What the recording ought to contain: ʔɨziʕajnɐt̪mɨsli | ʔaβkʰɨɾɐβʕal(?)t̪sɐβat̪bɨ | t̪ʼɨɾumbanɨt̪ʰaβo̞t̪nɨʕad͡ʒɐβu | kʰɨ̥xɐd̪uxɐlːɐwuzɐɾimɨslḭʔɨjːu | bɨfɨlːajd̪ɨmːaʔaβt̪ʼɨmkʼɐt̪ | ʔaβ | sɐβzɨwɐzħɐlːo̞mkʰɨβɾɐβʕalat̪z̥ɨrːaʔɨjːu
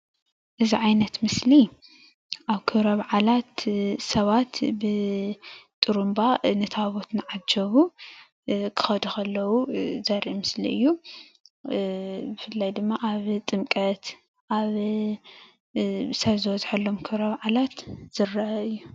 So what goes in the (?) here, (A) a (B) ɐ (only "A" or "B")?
A